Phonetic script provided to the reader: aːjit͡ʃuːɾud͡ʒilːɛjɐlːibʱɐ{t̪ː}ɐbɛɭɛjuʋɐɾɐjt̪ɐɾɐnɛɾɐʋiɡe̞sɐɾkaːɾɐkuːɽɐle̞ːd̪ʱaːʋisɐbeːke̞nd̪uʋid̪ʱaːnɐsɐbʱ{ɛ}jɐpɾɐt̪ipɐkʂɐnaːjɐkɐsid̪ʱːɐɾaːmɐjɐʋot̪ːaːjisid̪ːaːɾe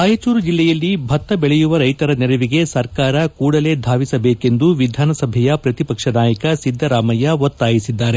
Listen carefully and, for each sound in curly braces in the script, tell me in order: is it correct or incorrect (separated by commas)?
correct, correct